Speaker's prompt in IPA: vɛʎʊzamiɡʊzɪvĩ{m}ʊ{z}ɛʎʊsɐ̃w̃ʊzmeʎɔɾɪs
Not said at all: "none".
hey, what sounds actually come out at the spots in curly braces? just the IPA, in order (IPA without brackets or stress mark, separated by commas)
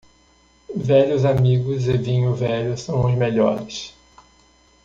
ɲ, v